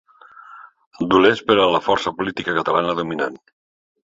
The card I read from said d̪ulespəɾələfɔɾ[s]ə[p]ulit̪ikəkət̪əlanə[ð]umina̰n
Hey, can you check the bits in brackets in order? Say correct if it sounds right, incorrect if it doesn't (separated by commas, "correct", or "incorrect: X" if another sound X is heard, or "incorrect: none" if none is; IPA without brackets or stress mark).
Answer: correct, correct, correct